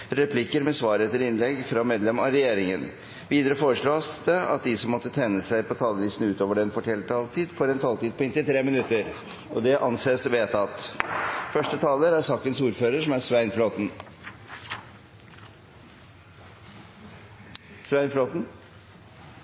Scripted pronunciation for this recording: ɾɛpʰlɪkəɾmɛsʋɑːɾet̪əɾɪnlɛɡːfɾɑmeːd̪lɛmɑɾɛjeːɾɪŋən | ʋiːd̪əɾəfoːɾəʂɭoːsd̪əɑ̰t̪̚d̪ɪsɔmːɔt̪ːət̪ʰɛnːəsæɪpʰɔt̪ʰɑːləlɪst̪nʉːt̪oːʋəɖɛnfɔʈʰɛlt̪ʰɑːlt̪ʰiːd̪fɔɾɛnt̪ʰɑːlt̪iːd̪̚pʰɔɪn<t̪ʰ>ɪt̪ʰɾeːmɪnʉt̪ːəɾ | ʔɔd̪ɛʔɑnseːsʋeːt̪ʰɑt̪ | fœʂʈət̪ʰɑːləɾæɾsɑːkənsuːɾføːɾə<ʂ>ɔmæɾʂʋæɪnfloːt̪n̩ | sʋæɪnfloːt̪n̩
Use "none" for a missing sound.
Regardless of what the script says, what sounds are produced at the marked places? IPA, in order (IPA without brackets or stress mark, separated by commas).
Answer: t̪, ʂ